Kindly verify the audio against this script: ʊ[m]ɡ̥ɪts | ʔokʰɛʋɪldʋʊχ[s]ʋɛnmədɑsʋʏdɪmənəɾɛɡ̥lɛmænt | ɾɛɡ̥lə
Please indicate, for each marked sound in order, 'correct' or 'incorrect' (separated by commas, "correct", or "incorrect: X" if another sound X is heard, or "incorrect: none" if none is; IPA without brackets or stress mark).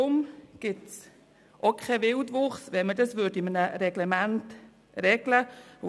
correct, correct